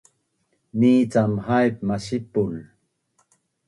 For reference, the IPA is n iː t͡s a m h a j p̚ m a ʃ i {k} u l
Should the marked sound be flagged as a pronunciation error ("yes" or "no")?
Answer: yes